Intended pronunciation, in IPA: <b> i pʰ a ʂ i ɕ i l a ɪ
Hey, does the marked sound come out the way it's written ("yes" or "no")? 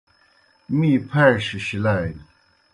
no